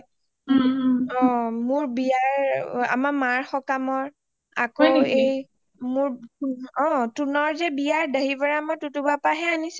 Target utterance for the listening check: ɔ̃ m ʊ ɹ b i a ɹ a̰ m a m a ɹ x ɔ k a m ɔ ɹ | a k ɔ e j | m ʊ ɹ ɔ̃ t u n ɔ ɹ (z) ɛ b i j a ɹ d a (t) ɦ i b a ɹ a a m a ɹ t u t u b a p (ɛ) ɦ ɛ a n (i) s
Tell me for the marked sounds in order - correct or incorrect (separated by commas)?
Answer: correct, incorrect, incorrect, correct